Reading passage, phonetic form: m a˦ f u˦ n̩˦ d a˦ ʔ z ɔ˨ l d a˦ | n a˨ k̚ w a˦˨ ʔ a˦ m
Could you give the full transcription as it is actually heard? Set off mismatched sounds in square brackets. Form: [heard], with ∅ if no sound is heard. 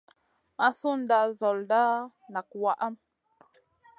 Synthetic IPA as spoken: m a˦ [s] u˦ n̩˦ d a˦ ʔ z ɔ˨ l d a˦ | n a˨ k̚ w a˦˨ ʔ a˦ m